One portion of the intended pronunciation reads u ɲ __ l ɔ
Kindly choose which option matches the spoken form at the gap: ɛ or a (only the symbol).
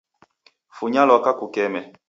a